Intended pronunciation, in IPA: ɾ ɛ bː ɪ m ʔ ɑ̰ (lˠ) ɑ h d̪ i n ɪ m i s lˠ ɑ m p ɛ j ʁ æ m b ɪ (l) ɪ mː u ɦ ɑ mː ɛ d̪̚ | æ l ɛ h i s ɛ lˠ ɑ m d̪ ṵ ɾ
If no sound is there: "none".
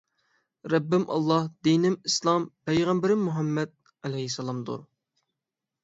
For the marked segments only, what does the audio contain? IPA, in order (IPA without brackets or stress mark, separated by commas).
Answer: lˠː, ɾ